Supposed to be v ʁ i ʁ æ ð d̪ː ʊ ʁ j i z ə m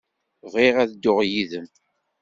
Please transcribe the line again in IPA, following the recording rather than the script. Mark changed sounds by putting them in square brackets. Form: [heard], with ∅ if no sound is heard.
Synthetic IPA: v ʁ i ʁ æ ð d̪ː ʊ ʁ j i [ð] ə m